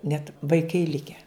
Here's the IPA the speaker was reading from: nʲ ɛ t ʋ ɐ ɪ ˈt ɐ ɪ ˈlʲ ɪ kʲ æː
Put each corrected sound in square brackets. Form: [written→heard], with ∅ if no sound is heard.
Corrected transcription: nʲ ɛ t ʋ ɐ ɪ [ˈt→ˈk] ɐ ɪ ˈlʲ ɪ kʲ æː